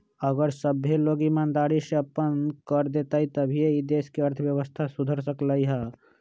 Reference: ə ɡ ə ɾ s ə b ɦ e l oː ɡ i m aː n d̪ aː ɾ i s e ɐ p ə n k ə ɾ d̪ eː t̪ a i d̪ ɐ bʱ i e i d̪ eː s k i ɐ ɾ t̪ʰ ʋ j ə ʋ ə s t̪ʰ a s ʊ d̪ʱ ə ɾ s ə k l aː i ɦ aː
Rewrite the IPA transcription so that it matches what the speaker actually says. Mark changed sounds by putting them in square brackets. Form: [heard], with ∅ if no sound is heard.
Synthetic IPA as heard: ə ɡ ə ɾ s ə b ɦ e l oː ɡ i m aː n d̪ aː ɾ i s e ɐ p ə n k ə ɾ d̪ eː t̪ a i [t̪] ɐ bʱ i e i d̪ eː s k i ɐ ɾ t̪ʰ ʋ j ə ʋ ə s t̪ʰ a s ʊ d̪ʱ ə ɾ s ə k l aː i ɦ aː

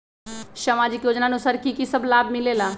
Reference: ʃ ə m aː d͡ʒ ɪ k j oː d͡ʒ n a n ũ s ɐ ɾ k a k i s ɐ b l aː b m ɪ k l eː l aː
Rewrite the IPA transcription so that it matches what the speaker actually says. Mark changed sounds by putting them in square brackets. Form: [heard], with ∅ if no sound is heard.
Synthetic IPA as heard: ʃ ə m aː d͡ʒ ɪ k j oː d͡ʒ n a n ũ s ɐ ɾ k [i] k i s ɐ b l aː b m ɪ [∅] l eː l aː

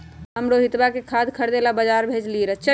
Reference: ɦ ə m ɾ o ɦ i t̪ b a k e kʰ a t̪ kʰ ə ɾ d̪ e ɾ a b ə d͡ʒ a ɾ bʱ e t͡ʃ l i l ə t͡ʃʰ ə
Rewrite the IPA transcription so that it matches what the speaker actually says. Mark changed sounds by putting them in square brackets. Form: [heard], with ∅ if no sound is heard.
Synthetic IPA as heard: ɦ ə m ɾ o ɦ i t̪ b a k e kʰ a [d̪] kʰ ə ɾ d̪ e [l] a b ə d͡ʒ a ɾ bʱ e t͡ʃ l i [ɾ] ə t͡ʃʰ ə

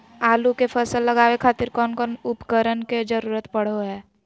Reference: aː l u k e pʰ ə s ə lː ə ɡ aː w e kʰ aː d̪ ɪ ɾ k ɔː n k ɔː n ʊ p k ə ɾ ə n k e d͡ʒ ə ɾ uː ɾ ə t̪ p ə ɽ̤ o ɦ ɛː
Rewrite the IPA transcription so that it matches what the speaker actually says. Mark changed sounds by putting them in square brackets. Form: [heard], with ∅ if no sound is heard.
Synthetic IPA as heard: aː l u k e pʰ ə s ə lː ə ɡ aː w e kʰ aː [t̪] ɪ ɾ k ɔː n k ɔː n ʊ p k ə ɾ ə n k e d͡ʒ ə ɾ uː ɾ ə t̪ p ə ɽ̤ o ɦ ɛː

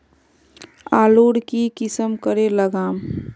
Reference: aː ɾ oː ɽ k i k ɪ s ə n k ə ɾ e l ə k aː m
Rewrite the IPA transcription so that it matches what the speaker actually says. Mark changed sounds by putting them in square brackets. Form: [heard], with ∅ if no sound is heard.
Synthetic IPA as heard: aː [l] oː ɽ k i k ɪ s ə [m] k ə ɾ e l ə [ɡ] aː m

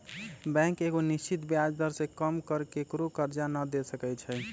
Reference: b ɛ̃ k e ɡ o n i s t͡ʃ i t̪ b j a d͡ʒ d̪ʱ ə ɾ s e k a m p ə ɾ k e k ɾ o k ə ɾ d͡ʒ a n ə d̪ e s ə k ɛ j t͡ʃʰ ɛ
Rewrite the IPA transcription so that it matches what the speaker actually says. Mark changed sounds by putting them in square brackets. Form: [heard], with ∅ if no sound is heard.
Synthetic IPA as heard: b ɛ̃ k e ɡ o n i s t͡ʃ i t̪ b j a d͡ʒ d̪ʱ ə ɾ s e k [ə] m [k] ə ɾ k e k ɾ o k ə ɾ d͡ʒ a n ə d̪ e s ə k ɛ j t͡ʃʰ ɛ

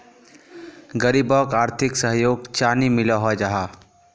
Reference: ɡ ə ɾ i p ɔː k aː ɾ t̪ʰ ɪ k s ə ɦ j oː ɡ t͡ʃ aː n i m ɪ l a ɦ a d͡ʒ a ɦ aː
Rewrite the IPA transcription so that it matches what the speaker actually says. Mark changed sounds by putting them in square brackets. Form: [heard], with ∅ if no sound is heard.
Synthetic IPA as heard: ɡ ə ɾ i [b] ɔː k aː ɾ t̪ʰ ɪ k s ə ɦ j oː ɡ t͡ʃ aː n i m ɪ l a ɦ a d͡ʒ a ɦ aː

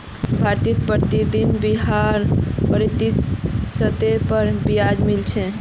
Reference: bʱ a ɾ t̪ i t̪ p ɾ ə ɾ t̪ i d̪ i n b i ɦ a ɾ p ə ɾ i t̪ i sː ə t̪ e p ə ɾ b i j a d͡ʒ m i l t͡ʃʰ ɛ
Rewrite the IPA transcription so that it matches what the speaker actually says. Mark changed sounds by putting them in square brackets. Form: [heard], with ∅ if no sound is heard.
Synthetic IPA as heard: bʱ a ɾ t̪ i t̪ p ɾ ə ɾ t̪ i d̪ i n b i ɦ a ɾ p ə ɾ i t̪ i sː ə t̪ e p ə ɾ b i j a d͡ʒ m i l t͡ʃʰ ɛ

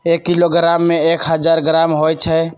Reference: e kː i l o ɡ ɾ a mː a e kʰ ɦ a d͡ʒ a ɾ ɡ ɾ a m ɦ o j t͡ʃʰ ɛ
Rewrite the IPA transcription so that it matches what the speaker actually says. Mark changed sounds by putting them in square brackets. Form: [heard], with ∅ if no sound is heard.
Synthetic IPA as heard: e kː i l o ɡ ɾ a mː [e] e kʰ ɦ [ə] d͡ʒ a ɾ ɡ ɾ a m ɦ o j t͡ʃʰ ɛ

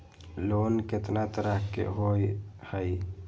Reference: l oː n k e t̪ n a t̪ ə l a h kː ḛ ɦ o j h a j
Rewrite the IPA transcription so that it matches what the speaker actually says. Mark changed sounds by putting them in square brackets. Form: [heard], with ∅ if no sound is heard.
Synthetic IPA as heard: l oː n k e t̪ n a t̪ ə [ɾ] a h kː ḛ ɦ o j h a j

